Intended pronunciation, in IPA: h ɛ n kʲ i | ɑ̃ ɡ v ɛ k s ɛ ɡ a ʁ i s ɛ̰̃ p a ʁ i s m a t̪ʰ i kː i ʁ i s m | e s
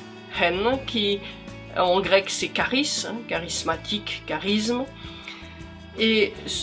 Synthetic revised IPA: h ɛ n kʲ i | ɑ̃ ɡ ʁ ɛ k s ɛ k a ʁ i s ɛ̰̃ k a ʁ i s m a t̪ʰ i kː a ʁ i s m | e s